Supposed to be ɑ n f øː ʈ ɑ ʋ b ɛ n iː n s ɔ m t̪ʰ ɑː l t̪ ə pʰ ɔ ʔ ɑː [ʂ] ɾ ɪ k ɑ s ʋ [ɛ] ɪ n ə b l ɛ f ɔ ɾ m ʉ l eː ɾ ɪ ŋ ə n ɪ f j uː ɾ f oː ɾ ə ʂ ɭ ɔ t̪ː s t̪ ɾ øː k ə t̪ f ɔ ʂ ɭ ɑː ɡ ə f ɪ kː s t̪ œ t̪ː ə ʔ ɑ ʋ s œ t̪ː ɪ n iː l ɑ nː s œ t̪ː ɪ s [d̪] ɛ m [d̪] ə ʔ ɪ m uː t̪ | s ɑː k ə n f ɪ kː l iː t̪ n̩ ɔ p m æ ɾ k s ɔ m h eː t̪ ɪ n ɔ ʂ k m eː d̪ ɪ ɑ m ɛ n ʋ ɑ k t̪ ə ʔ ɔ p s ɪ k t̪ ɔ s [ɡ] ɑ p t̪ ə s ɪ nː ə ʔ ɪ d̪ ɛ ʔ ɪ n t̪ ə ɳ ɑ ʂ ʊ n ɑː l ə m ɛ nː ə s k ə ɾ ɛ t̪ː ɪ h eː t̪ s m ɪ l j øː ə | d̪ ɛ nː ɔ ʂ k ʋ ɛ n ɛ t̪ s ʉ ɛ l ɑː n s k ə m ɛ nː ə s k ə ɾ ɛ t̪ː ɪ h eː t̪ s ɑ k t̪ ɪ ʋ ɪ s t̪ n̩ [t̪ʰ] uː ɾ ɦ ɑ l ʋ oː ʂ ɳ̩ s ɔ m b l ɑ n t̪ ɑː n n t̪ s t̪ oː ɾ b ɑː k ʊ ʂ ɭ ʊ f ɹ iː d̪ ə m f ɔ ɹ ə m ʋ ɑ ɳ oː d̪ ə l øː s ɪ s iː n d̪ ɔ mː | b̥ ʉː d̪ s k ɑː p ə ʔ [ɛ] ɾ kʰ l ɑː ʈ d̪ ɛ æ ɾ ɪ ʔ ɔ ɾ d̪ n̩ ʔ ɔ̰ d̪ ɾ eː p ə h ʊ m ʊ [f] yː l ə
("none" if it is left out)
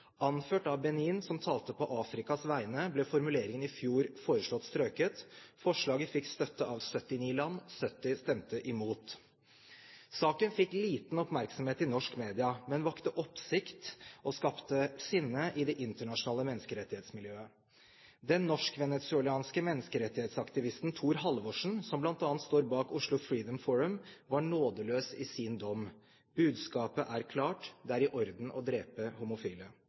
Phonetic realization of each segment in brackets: f, æ, t̪, t̪, k, t̪ʰ, æ, f

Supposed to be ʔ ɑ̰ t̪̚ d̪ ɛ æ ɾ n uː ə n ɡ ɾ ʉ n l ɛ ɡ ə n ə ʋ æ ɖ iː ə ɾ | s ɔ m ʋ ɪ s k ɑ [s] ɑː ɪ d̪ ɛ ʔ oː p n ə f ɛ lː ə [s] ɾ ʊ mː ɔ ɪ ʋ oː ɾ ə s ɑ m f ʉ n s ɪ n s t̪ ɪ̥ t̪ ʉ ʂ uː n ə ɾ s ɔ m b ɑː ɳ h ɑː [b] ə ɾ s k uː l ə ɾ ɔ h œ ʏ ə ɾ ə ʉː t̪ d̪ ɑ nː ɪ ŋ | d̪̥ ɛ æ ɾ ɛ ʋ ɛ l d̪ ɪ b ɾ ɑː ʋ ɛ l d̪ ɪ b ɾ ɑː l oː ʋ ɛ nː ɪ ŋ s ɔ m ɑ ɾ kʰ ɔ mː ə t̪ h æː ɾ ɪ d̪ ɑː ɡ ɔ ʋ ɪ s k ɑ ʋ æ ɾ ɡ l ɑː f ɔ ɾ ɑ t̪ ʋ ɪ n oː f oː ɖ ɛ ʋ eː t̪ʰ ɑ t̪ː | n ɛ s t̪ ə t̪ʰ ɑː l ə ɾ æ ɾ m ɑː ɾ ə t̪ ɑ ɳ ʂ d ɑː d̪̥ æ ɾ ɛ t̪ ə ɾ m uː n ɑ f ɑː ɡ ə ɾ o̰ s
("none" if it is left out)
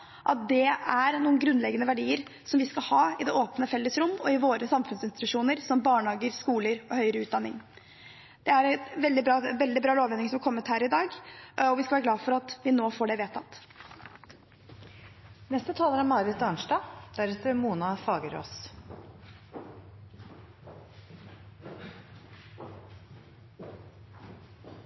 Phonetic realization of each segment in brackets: h, s, ɡ

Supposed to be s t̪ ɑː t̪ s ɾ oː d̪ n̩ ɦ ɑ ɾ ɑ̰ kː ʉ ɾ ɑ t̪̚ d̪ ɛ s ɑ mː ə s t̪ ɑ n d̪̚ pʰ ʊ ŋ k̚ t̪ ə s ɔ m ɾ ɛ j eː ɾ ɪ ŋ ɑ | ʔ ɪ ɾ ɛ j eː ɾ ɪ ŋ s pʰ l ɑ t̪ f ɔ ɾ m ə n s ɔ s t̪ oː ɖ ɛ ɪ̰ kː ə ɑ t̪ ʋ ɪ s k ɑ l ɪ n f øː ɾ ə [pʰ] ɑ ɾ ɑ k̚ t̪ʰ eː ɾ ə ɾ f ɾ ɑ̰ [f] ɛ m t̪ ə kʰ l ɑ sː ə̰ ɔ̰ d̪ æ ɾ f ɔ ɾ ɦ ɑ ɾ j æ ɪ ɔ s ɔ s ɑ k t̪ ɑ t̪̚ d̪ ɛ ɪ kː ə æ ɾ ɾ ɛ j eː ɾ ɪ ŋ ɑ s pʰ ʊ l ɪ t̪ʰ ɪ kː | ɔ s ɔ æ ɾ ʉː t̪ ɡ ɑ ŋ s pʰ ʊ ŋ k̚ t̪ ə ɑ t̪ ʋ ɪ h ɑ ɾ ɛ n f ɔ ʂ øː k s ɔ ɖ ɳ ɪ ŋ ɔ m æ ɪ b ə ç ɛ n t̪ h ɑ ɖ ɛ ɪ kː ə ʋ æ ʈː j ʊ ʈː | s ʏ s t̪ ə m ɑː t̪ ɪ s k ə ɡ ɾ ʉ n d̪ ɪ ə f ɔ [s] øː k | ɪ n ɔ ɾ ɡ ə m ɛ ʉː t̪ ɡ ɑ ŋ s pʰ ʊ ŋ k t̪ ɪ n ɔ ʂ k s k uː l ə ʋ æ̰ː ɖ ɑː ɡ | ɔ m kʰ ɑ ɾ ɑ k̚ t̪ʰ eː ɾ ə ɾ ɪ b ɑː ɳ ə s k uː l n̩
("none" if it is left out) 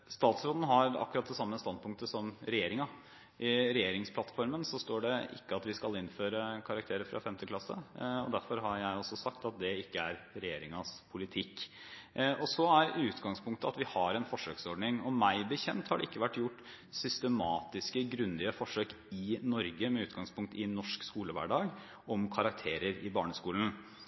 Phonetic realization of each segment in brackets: kʰ, f, ʂ

